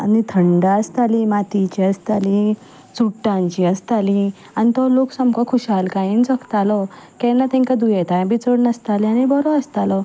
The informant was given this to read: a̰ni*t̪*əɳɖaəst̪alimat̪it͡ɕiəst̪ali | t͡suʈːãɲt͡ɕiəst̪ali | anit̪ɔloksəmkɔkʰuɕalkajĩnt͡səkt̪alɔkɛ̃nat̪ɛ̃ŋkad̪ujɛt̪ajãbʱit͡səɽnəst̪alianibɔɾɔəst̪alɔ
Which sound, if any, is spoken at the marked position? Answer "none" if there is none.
t̪ʰ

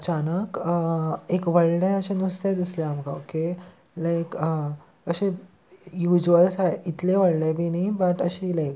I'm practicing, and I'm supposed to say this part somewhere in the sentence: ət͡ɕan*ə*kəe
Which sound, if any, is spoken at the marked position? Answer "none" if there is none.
ə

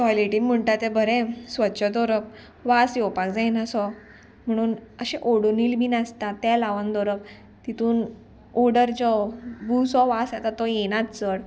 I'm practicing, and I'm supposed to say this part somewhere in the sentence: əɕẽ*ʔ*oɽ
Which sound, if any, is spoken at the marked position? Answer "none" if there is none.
ʔ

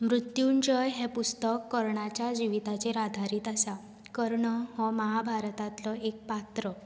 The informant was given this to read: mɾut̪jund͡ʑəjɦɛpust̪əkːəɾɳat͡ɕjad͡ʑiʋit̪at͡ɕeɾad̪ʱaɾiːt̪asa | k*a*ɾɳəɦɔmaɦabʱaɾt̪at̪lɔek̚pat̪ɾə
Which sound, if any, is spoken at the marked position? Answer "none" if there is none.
ə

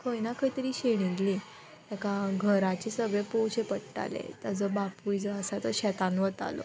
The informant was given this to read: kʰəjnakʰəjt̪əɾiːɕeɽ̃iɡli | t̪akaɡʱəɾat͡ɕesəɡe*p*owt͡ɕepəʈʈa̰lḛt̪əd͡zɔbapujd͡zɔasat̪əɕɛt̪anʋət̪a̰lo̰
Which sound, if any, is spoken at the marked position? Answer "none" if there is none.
p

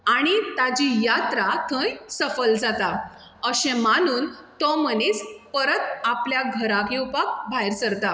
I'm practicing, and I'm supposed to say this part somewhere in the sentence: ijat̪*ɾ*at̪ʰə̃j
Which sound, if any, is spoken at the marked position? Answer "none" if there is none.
ɾ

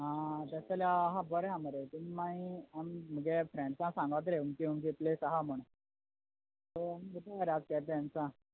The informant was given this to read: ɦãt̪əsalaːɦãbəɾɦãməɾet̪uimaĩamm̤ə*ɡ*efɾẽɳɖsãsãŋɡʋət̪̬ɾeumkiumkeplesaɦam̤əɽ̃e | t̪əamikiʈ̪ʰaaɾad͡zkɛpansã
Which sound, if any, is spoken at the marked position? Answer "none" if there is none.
ɡ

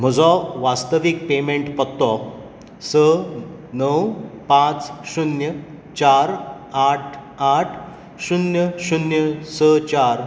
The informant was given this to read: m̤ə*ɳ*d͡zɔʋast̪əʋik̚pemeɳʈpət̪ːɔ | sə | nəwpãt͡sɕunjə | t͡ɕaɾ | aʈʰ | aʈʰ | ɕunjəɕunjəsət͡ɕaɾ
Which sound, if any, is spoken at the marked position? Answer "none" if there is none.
none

